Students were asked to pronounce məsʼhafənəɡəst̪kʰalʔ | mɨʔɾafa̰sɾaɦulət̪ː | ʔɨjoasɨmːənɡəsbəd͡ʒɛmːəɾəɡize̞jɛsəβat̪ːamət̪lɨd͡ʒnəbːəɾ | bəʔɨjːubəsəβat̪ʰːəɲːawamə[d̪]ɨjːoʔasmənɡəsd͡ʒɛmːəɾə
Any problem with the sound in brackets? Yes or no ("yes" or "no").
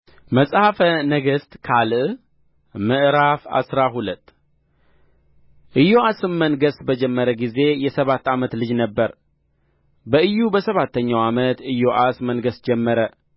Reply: yes